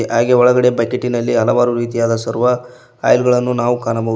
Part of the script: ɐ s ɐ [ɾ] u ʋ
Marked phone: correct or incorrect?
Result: correct